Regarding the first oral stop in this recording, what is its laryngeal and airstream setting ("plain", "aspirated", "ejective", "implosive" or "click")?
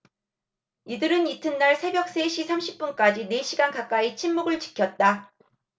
plain